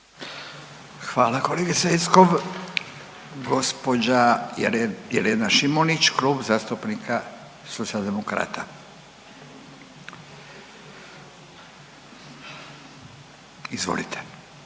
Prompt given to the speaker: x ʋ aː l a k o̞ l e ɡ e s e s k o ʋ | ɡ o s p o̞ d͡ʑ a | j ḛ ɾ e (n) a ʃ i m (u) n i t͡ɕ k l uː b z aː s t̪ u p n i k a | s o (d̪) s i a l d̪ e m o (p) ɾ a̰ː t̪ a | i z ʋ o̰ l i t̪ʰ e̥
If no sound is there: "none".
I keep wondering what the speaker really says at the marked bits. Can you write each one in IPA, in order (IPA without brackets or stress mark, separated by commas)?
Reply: n, o, t̪, k